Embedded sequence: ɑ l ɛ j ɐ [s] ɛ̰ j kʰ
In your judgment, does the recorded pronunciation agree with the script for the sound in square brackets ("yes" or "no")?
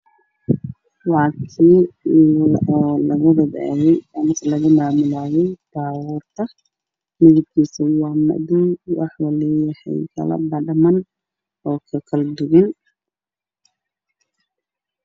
no